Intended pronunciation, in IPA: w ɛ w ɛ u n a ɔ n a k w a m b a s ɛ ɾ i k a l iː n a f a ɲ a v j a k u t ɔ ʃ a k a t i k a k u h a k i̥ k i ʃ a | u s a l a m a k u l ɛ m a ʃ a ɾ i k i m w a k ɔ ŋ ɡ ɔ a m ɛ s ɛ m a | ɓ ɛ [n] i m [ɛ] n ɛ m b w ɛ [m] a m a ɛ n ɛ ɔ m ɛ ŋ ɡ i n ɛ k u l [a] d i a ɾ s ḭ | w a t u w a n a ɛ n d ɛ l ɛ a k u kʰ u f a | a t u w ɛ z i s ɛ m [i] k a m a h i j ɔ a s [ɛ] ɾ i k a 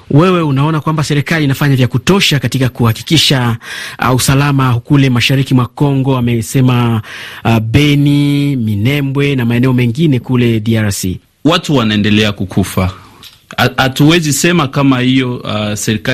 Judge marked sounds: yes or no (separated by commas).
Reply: yes, no, no, no, no, yes